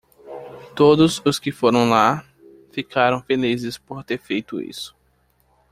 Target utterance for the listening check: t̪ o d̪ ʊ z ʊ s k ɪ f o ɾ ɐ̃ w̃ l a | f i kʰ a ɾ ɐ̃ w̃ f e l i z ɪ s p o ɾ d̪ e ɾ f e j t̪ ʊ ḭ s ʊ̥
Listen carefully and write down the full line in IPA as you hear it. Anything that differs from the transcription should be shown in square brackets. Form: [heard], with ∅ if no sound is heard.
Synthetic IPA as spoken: t̪ o d̪ ʊ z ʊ s k ɪ f o ɾ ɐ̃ w̃ l a | f i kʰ a ɾ ɐ̃ w̃ f e l i z ɪ s p o ɾ [t̪] e ɾ f e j t̪ ʊ ḭ s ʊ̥